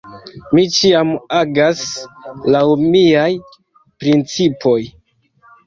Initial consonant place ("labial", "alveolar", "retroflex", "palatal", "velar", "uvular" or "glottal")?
labial